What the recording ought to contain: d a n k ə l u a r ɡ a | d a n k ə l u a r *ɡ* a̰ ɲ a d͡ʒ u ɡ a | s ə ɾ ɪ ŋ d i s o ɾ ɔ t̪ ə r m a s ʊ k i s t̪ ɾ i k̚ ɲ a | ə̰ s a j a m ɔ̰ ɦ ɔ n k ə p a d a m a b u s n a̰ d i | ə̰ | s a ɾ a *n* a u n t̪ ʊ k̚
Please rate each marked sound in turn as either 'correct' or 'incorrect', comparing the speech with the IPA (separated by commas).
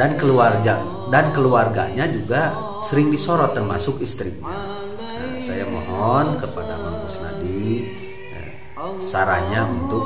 correct, incorrect